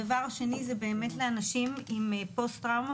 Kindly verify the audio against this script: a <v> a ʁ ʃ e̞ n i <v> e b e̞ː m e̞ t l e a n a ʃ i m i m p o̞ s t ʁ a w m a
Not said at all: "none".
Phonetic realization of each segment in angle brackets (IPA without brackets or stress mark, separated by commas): v, z